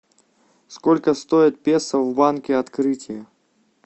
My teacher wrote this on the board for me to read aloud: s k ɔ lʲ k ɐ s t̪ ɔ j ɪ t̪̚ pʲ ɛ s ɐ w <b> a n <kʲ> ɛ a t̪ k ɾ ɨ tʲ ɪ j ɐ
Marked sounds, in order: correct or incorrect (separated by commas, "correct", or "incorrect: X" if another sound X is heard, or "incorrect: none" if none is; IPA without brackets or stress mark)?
correct, correct